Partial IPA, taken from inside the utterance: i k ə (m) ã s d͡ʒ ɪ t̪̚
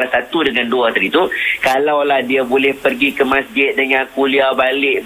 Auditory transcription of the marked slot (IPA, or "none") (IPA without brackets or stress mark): m